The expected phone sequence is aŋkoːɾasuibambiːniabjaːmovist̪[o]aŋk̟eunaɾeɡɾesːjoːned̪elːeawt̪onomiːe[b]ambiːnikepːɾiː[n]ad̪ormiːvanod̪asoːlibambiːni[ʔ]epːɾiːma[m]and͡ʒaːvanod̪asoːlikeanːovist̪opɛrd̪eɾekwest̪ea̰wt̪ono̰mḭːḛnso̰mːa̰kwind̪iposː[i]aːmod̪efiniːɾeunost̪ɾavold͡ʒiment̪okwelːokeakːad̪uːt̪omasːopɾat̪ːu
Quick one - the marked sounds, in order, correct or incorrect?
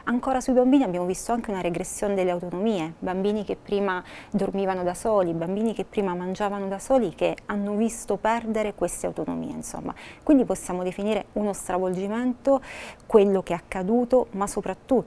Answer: correct, correct, incorrect, incorrect, correct, incorrect

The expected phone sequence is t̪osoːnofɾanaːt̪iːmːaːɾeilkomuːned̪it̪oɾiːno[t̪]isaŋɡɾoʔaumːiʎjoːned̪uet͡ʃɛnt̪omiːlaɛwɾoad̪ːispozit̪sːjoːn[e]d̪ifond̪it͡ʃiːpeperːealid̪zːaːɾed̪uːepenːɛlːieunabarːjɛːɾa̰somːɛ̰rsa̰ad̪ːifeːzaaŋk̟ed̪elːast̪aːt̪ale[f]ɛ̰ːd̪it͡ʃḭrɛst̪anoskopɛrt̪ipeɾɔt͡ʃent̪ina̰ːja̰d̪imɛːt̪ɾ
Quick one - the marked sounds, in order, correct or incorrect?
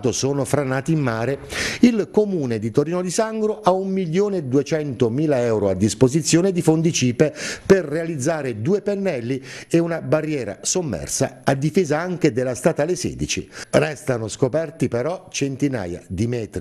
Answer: incorrect, correct, incorrect

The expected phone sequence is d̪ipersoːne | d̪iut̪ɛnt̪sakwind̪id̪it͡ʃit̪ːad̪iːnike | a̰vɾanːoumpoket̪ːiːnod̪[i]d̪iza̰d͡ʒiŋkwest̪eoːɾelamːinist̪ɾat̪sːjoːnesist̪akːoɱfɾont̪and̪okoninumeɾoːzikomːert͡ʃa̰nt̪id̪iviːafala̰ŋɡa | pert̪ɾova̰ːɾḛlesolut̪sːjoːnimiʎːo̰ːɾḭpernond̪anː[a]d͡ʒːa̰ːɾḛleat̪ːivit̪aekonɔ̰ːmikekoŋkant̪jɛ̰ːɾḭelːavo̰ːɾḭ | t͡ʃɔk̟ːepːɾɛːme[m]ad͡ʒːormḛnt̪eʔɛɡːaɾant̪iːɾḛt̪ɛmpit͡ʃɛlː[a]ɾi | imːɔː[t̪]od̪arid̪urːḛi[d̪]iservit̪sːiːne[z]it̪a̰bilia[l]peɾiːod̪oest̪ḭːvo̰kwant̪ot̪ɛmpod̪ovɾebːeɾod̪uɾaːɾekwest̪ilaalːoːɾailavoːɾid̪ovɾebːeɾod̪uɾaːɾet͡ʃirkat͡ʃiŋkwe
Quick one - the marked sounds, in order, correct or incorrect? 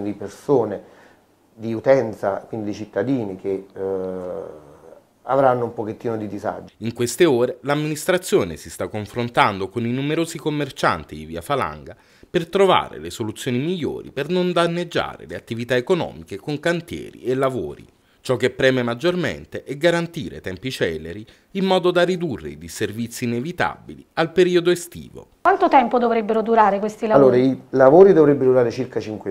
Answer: correct, incorrect, correct, incorrect, incorrect, correct, incorrect, correct

